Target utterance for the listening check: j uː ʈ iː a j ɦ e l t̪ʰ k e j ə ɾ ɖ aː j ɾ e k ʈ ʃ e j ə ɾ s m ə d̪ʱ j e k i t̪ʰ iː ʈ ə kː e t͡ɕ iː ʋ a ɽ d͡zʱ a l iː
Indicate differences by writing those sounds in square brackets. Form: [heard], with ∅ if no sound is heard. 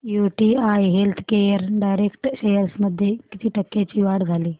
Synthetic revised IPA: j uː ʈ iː a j ɦ e l t̪ʰ k e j ə ɾ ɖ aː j ɾ e k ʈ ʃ e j ə ɾ s m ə d̪ʱ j e k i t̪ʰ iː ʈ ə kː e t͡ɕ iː ʋ a ɽ d͡zʱ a l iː

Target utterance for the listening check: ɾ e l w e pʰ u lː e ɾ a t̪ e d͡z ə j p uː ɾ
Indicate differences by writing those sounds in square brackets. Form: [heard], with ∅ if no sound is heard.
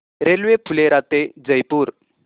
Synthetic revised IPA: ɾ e l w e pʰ u [l] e ɾ a t̪ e d͡z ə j p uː ɾ

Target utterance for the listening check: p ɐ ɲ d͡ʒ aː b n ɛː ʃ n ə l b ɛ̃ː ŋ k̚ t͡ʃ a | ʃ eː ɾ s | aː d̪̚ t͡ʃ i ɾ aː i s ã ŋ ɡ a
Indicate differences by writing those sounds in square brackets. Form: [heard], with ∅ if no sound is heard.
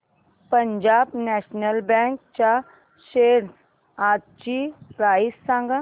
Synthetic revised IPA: p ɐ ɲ d͡ʒ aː b n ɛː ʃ n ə l b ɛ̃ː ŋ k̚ t͡ʃ a | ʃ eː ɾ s | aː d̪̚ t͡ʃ i ɾ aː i s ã ŋ ɡ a

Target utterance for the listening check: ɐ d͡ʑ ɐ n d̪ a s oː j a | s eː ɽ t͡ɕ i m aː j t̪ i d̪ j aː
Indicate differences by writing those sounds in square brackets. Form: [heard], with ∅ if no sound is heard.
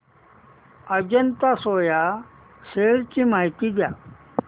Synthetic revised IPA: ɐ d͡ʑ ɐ n [t̪] a s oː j a | s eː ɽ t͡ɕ i m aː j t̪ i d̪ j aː

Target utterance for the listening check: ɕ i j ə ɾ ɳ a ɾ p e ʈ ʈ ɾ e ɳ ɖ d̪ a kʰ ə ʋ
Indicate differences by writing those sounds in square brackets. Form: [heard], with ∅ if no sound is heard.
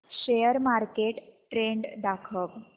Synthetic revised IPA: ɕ [e] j ə ɾ [m] a ɾ [k] e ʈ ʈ ɾ e ɳ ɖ d̪ a kʰ ə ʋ

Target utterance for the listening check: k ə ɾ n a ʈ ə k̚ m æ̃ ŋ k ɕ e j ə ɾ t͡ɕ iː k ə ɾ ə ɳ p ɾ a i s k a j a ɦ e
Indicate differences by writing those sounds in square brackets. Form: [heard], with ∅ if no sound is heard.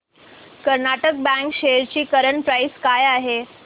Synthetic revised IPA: k ə ɾ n a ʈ ə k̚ [b] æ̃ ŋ k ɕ e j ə ɾ t͡ɕ iː k ə ɾ ə ɳ p ɾ a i s k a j a ɦ e

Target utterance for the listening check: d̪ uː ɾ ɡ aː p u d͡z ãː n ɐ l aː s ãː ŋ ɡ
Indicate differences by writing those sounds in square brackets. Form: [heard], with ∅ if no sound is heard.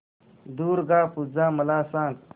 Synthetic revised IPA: d̪ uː ɾ ɡ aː p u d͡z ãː [m] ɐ l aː s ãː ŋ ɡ

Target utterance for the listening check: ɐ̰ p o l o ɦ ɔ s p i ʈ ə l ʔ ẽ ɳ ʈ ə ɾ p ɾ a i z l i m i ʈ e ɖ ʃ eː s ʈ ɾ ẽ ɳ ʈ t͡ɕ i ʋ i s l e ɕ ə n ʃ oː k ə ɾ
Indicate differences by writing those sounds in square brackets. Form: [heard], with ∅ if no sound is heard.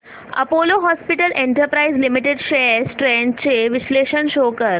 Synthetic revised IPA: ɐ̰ p o l o ɦ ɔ s p i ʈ ə l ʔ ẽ ɳ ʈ ə ɾ p ɾ a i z l i m i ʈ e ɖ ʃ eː s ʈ ɾ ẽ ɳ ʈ t͡ɕ [e] ʋ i s l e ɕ ə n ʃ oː k ə ɾ

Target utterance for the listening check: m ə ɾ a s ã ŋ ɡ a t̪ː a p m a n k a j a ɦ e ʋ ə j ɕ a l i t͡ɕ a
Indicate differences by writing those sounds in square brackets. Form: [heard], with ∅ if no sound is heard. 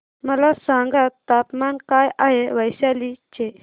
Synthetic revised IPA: m ə [l] a s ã ŋ ɡ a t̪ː a p m a n k a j a ɦ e ʋ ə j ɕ a l i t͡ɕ [e]

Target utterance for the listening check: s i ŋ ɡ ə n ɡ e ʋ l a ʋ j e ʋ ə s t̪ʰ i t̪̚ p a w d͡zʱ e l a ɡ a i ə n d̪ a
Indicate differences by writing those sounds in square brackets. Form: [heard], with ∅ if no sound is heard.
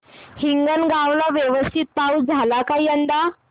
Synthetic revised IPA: [h] i ŋ ɡ ə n ɡ [a] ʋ l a ʋ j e ʋ ə s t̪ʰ i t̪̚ p a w d͡zʱ [a] l a [k] a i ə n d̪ a

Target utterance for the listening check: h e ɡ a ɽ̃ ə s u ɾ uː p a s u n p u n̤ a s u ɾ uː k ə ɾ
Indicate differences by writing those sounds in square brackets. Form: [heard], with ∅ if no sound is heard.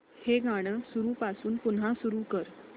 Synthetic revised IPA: h e ɡ a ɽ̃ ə s u ɾ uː p a s [uː] n p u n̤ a s u ɾ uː k ə ɾ

